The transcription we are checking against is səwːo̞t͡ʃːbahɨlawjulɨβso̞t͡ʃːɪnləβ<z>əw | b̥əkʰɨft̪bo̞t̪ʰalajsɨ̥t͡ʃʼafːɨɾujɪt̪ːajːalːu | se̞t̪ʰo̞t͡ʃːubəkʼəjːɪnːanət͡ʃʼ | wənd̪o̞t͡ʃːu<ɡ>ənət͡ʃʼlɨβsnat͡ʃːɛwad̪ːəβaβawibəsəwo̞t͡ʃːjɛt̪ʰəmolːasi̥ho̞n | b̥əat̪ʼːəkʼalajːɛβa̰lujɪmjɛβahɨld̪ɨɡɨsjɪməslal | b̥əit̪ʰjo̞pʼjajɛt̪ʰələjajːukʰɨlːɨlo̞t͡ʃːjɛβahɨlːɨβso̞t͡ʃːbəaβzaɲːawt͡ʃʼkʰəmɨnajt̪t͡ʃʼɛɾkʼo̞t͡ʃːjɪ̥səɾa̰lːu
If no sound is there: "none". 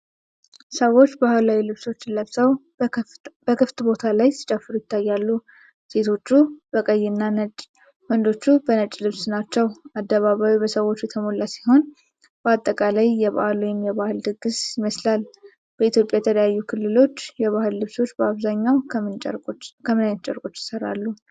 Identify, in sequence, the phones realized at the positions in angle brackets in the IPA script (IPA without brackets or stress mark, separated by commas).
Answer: s, b